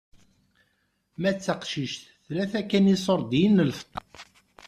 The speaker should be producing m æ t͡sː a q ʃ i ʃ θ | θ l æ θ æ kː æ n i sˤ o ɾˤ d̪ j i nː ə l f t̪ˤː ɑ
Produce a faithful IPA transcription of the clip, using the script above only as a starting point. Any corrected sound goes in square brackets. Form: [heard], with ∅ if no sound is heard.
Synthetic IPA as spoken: m æ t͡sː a q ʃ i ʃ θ | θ l æ θ æ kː æ n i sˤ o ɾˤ d̪ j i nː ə l f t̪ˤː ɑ